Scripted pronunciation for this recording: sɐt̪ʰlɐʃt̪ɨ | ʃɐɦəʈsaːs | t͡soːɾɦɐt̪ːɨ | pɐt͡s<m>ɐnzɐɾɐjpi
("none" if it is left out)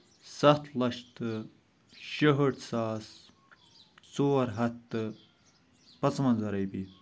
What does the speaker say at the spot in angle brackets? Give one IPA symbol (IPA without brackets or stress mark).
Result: m